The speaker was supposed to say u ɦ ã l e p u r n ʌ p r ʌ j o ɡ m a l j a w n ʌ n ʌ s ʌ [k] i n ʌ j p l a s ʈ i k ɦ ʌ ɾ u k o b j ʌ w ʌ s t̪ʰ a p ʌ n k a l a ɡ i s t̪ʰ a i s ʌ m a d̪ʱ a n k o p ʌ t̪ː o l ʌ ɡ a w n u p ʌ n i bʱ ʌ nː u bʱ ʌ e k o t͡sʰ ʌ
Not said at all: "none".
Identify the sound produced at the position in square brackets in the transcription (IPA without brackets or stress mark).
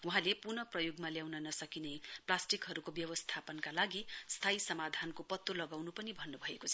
k